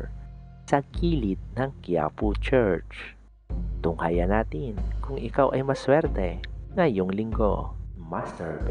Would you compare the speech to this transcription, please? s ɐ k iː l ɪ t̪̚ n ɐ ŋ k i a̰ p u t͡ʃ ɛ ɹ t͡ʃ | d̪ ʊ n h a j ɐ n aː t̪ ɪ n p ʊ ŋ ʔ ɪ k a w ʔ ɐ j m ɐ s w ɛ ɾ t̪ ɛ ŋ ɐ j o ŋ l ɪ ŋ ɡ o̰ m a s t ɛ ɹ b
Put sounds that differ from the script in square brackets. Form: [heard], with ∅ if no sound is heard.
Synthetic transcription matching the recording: s ɐ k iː l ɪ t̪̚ n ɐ ŋ k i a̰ p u t͡ʃ ɛ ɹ t͡ʃ | [t̪] ʊ [ŋ] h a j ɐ n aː t̪ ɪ n [k] ʊ ŋ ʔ ɪ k a w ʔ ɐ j m ɐ s w ɛ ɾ t̪ ɛ ŋ ɐ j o ŋ l ɪ ŋ ɡ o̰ m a s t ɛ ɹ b